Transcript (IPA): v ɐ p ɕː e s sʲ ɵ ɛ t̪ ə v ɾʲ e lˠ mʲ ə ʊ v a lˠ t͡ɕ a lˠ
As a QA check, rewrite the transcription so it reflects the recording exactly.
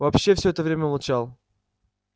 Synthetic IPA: v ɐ p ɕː e f sʲ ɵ ɛ t̪ ə v ɾʲ e mʲ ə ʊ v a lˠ t͡ɕ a lˠ

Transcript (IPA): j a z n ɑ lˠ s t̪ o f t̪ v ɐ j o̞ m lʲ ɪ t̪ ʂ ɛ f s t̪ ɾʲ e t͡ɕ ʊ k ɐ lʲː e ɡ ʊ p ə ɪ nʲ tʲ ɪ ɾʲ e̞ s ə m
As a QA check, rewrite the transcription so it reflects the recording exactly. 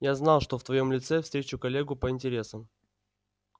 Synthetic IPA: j a z n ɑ lˠ ʂ t̪ o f t̪ v ɐ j o̞ m lʲ ɪ t̪ s ɛ f s t̪ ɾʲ e t͡ɕ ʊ k ɐ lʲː e ɡ ʊ p ə ɪ nʲ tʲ ɪ ɾʲ e̞ s ə m

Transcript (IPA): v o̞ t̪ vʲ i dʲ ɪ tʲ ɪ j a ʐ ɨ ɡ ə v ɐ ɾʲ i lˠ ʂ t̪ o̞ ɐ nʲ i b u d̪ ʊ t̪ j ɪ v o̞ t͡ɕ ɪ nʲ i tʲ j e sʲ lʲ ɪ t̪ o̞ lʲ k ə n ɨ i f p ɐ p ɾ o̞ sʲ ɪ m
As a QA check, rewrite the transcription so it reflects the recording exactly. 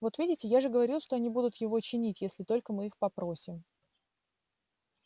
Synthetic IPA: v o̞ t̪ vʲ i dʲ ɪ tʲ ɪ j a ʐ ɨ ɡ ə v ɐ ɾʲ i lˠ ʂ t̪ o̞ ɐ nʲ i b u d̪ ʊ t̪ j ɪ v o̞ t͡ɕ ɪ nʲ i tʲ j e sʲ lʲ ɪ t̪ o̞ lʲ k ə m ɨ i x p ɐ p ɾ o̞ sʲ ɪ m

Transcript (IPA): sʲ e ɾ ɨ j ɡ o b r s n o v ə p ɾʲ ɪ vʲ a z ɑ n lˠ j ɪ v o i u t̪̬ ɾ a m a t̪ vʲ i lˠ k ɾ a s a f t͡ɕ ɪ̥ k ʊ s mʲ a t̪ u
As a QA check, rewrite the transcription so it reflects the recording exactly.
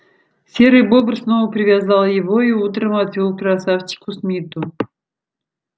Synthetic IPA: sʲ e ɾ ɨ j b o b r s n o v ə p ɾʲ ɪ vʲ a z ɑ lˠ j ɪ v o i u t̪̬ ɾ ə m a t̪ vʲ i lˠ k ɾ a s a f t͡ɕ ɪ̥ k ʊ s mʲ i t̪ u

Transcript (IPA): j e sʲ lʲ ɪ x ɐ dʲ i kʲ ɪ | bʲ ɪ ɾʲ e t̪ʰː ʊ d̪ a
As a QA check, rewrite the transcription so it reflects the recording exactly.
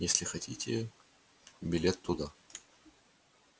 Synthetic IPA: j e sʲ lʲ ɪ x ɐ tʲ i tʲ ɪ | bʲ ɪ lʲ e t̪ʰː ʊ d̪ a

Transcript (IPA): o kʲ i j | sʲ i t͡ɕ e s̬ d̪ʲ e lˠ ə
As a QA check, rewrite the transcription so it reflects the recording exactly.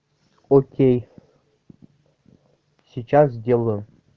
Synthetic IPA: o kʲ e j | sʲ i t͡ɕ a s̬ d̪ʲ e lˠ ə

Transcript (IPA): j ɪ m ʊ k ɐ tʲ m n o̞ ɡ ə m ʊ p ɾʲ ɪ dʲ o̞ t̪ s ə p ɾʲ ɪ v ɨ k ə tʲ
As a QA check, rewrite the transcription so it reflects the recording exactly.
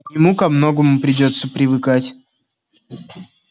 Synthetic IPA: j ɪ m u k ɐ m n o̞ ɡ ə m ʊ p ɾʲ ɪ dʲ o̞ t̪ s ə p ɾʲ ɪ v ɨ k a tʲ

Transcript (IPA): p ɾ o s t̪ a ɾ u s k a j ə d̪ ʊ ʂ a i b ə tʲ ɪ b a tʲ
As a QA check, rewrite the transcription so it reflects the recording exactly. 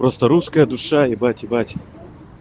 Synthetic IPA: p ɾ o s t̪ ə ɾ u s k ə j ə d̪ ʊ ʂ a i b a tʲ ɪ b a tʲ

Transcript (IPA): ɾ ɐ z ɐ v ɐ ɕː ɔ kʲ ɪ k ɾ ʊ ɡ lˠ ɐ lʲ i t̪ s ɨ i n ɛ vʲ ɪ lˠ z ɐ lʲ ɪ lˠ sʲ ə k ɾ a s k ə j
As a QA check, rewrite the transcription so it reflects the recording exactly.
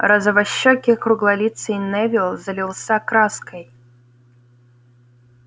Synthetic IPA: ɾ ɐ z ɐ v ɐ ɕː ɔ kʲ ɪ k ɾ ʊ ɡ lˠ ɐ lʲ i t̪ s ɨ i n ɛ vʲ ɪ lˠ z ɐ lʲ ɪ lˠ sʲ a k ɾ a s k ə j

